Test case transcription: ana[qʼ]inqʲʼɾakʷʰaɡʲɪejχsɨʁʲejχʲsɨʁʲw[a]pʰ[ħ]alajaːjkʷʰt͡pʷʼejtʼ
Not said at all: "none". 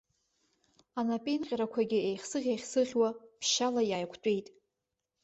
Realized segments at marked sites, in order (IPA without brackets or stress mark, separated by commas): pʼ, a, ʃ